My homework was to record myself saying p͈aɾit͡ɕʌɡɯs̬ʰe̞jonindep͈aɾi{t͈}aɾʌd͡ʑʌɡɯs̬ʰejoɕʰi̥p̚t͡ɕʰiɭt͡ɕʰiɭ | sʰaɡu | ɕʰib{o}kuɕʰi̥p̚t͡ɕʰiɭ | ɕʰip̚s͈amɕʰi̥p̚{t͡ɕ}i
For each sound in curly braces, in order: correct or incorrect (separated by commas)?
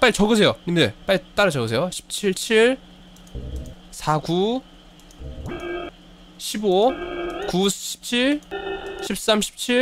correct, correct, incorrect